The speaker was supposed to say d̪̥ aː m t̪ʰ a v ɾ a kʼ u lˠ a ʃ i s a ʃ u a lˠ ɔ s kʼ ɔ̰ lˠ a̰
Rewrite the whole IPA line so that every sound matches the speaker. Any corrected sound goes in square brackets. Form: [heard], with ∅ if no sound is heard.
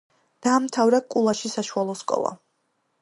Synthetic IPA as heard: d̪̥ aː m t̪ʰ a v ɾ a kʼ u lˠ a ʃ i s a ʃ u a lˠ ɔ s kʼ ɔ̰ lˠ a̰